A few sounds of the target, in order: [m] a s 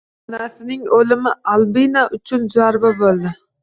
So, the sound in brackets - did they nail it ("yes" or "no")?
no